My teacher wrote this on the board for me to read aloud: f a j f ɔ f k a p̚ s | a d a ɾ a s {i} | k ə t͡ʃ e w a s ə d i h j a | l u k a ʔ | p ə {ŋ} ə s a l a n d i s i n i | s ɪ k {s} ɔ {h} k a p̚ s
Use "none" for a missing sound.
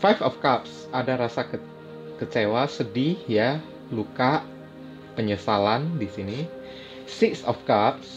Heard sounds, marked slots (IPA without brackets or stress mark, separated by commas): a, ɲ, s, f